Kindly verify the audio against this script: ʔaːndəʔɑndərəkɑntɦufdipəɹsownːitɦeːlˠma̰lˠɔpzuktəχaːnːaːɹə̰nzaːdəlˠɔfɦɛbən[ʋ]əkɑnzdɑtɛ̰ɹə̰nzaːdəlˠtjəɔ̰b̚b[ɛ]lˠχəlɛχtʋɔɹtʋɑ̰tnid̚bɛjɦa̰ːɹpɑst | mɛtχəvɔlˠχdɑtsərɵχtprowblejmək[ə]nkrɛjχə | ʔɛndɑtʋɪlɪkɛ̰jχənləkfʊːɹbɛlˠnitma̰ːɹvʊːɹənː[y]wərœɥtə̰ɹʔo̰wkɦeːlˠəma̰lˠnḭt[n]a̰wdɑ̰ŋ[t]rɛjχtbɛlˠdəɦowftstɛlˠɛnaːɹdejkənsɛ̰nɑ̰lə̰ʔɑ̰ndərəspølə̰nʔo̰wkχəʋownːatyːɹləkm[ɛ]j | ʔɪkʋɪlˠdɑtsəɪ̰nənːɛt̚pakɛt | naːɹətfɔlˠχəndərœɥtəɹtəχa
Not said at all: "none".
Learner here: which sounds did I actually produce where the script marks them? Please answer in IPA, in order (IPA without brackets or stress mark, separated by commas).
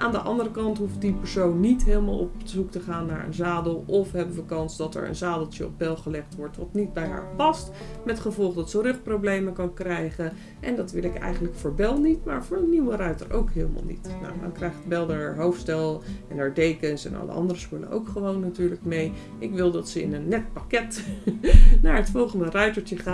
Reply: ʋ, ɛ, ɑ, i, n, k, e